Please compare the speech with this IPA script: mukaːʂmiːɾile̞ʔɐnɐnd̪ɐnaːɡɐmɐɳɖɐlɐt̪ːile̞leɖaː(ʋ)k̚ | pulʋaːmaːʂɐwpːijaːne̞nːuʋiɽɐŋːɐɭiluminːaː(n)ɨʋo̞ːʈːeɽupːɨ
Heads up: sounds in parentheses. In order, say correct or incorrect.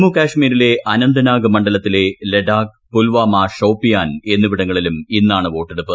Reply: incorrect: none, incorrect: ɳ

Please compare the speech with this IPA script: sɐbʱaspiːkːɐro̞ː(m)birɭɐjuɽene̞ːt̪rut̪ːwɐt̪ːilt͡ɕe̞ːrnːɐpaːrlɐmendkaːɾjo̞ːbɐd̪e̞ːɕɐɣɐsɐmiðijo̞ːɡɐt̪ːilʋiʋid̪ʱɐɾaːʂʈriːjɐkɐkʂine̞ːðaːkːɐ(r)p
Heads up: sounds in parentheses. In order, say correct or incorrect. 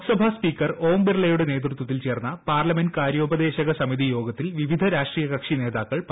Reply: correct, incorrect: ɭ

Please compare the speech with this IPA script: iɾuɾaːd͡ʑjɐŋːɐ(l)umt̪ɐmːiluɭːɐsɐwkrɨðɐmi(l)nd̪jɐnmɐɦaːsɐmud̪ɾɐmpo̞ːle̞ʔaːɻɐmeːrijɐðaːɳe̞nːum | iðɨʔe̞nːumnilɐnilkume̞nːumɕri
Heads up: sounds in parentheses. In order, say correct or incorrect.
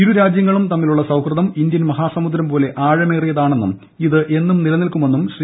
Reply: incorrect: ɭ, incorrect: none

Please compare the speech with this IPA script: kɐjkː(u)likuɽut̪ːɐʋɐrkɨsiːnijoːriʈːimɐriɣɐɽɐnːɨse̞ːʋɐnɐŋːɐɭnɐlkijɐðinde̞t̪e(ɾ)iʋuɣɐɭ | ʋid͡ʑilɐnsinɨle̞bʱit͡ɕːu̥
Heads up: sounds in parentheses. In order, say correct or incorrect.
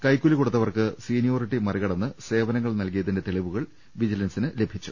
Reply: correct, incorrect: ɭ

